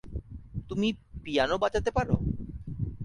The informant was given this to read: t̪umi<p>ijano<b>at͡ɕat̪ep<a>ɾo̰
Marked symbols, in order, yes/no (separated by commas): yes, yes, yes